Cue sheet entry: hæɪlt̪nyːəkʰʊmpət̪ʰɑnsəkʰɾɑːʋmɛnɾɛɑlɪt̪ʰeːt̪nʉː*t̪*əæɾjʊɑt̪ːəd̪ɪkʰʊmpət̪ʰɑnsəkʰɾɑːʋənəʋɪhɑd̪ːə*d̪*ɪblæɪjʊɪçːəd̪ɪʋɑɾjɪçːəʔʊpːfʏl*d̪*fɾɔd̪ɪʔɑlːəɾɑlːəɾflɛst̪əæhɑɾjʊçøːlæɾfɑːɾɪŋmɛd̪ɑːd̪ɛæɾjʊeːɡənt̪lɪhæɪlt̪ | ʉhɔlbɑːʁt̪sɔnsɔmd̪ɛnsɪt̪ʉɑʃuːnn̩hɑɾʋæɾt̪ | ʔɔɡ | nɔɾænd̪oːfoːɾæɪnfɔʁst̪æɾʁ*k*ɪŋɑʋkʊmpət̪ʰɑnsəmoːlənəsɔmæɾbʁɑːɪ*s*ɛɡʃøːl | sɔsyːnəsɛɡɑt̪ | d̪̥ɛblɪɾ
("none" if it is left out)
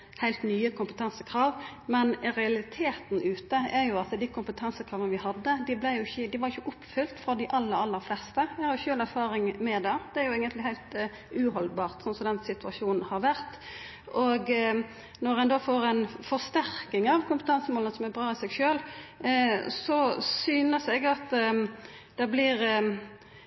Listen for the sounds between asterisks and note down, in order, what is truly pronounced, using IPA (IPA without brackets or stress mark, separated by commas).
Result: t̪, d̪, t̪, k, s